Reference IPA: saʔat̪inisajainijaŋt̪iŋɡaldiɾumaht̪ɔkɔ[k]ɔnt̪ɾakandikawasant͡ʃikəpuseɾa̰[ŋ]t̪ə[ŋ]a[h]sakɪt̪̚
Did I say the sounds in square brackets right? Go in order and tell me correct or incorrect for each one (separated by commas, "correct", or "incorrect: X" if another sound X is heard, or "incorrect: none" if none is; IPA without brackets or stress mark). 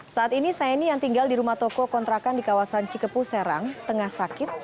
correct, correct, correct, correct